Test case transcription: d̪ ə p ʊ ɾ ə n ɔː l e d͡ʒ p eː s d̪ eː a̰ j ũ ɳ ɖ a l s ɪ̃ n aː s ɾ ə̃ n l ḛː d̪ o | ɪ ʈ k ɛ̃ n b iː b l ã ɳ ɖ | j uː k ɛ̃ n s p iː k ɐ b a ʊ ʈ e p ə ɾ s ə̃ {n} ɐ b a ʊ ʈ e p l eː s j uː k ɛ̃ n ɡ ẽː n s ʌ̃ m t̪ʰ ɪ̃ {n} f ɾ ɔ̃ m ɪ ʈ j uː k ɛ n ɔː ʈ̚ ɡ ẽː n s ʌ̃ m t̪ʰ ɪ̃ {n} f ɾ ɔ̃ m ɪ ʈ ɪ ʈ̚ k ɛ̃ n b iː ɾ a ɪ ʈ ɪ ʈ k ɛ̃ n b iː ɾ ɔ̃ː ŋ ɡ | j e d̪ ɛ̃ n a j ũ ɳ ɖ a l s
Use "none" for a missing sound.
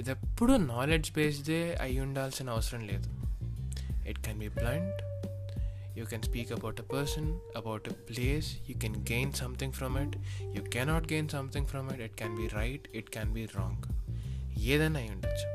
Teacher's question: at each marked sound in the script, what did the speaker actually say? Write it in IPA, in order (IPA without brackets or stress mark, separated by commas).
n, ŋ, ŋ